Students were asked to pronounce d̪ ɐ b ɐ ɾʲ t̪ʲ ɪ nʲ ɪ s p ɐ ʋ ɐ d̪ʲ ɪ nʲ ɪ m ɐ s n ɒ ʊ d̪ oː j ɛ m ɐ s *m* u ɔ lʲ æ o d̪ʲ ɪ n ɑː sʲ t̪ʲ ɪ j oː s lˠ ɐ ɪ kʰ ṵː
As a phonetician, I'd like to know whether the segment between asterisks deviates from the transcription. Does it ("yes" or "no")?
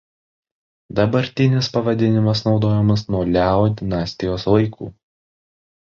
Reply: yes